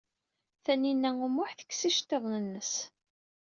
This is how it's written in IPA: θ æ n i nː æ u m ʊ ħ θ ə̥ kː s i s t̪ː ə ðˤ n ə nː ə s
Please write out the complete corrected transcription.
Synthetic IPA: θ æ n i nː æ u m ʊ ħ θ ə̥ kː s i ʃ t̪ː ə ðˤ n ə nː ə s

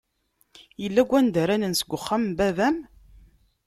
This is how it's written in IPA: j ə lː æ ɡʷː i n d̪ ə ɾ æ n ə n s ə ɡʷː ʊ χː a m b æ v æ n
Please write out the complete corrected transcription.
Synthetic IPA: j ə lː æ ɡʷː æ n d̪ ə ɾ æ n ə n s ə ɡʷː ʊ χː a m b æ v æ m

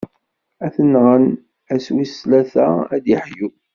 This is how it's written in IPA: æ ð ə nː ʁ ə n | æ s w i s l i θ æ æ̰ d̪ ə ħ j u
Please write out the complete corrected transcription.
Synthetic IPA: æ θ ə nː ʁ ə n | æ s w i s l æ θ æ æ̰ d̪ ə ħ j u

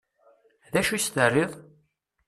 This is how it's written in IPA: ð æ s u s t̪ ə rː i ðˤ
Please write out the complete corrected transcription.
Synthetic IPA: ð æ ʃ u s t̪ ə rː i ðˤ

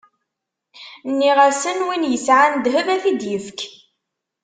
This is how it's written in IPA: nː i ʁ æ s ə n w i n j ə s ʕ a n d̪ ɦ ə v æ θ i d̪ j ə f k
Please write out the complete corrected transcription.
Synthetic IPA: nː i ʁ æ s ə n w i n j ə s ʕ a n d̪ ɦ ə v æ θ i d̪ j ə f k

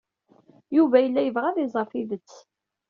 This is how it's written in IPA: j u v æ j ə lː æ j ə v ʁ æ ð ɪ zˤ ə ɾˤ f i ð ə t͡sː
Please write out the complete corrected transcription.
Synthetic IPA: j u v æ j ə lː æ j ə v ʁ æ ð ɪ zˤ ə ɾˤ f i ð ə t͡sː

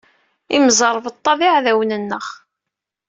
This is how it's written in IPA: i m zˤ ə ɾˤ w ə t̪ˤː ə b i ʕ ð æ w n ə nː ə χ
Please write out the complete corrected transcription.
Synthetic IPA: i m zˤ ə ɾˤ v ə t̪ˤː ɑ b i ʕ ð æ w n ə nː ə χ

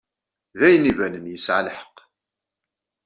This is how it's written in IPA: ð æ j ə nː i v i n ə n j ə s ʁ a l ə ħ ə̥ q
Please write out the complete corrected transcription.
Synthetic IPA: ð æ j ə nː i v æ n ə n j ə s ʕ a l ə ħ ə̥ q

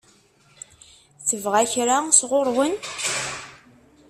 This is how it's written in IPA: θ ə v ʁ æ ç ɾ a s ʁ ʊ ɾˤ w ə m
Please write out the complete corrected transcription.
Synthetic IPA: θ ə v ʁ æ ç ɾ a s ʁ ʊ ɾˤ w ə n

